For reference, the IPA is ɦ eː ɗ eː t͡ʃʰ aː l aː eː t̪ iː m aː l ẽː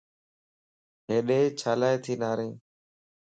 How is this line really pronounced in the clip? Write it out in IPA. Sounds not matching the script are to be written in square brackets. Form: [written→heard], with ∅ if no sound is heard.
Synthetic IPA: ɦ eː ɗ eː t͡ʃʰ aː l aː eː [t̪→t̪ʰ] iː [m→n] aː [l→ɾ] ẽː